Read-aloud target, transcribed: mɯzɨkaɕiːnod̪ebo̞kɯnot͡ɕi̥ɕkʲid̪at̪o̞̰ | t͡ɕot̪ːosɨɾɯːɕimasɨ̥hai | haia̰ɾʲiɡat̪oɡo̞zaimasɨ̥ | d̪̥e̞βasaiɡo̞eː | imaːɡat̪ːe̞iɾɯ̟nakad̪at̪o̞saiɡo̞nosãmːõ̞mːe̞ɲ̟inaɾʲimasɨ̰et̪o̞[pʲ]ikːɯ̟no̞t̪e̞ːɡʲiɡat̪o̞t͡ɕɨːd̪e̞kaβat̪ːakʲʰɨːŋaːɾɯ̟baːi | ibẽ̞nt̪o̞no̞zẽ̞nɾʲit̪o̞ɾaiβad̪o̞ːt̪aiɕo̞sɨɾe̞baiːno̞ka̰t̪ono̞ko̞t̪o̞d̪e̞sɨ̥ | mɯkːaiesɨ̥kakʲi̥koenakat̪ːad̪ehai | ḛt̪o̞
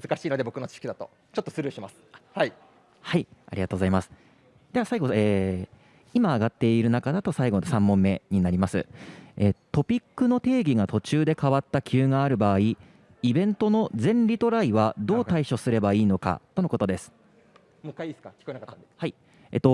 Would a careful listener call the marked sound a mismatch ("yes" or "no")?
no